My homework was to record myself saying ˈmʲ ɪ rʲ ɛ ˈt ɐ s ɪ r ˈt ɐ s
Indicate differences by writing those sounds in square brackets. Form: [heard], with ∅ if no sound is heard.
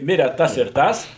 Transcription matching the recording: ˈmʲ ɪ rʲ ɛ ˈt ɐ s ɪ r ˈt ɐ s